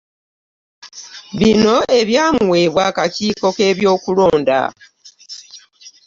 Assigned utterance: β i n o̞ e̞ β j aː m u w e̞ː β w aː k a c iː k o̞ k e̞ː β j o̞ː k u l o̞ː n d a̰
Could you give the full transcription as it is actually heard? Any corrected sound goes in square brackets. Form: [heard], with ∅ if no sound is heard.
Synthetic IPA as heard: β i n o̞ e̞ β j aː m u w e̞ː β w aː k a c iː k o̞ k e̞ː β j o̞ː k u l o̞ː n d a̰

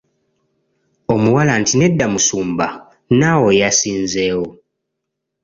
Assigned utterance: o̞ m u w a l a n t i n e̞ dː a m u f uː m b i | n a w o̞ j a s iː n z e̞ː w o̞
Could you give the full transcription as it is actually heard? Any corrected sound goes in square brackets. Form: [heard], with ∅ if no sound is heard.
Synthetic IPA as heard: o̞ m u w a l a n t i n e̞ dː a m u [s] uː m b [a] | n a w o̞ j a s iː n z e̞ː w o̞

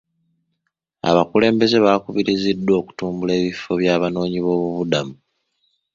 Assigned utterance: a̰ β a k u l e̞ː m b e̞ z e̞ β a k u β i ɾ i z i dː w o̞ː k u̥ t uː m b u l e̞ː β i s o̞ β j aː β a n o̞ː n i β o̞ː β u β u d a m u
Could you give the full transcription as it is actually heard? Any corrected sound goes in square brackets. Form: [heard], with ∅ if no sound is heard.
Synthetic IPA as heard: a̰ β a k u l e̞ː m b e̞ z e̞ β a k u β i ɾ i z i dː w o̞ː k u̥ t uː m b u l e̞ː β i [f] o̞ β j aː β a n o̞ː [ɲ] i β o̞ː β u β u d a m u

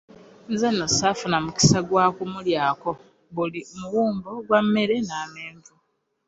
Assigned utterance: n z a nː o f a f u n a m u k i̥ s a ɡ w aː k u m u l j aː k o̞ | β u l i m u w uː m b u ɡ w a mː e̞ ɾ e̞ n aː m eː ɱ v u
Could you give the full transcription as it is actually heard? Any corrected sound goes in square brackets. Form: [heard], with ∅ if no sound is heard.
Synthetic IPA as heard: n z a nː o [s] a f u n a m u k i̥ s a ɡ w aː k u m u l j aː k o̞ | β u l i m u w uː m b [o] ɡ w a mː e̞ ɾ e̞ n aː m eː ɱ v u

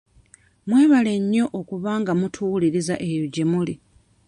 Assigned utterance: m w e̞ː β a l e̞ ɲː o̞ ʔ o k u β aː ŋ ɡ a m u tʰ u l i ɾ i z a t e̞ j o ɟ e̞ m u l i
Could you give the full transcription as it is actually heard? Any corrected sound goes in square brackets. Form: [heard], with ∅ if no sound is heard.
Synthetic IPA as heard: m w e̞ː β a l e̞ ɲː o̞ ʔ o k u β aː ŋ ɡ a m u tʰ u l i ɾ i z a [ʔ] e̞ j o ɟ e̞ m u l i

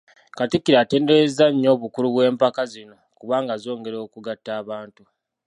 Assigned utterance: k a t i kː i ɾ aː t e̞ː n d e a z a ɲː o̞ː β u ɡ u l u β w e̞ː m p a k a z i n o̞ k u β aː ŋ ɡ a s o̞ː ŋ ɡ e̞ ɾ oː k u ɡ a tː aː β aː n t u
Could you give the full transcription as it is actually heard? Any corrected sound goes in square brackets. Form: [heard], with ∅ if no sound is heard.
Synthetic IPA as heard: k a t i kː i ɾ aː t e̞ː n d e [e] z a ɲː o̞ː β u [k] u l u β w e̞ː m p a k a z i n o̞ k u β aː ŋ ɡ a [z] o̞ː ŋ ɡ e̞ ɾ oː k u ɡ a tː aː β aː n t u

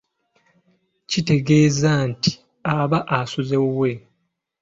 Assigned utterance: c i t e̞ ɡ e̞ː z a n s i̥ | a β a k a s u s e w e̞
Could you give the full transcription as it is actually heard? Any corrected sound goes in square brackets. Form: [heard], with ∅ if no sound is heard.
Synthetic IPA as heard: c i t e̞ ɡ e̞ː z a n [t] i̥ | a β a [ʔ] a s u [z] e w e̞

